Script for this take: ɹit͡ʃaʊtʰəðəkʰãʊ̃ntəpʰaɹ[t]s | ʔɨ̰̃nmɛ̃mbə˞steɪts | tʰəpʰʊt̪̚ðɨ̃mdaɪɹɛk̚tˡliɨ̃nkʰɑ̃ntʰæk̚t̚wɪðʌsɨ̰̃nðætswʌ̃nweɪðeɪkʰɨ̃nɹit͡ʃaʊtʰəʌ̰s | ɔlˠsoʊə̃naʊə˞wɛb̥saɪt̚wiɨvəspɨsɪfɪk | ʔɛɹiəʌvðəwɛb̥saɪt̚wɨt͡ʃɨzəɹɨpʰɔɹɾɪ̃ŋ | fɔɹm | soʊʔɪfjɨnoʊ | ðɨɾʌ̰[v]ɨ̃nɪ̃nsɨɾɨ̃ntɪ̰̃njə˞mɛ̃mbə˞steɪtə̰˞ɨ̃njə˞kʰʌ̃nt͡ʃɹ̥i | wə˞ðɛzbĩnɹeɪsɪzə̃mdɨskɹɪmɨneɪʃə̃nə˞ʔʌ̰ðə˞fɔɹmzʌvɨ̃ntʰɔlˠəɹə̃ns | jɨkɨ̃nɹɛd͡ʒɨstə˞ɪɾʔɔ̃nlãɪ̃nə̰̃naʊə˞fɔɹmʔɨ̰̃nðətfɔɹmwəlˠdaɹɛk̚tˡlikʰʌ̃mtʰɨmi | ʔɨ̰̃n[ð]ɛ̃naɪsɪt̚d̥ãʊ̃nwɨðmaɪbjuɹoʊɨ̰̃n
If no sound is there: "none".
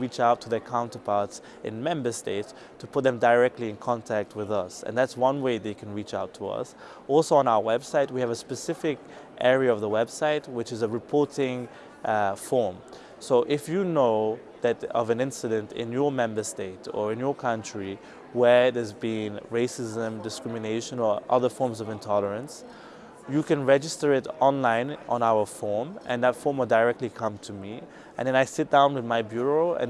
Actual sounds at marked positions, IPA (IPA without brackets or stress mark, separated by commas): t, v, ð